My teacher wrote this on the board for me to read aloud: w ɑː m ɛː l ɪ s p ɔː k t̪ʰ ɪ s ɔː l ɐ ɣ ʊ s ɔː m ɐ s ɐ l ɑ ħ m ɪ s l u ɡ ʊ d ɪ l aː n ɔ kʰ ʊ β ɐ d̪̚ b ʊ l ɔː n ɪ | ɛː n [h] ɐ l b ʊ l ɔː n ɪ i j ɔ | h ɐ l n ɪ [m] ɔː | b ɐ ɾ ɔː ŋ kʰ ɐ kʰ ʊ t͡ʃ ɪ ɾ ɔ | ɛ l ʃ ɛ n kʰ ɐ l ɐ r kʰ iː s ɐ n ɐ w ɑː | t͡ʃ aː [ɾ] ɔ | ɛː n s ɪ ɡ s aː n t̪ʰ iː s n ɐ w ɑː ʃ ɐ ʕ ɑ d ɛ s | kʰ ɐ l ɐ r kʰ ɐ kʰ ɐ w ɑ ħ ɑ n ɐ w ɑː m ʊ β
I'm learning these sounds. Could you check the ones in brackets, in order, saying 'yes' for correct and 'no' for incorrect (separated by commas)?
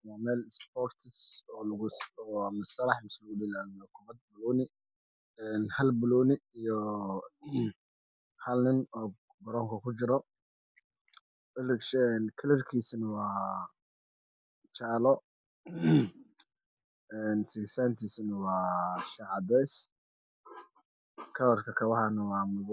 yes, no, no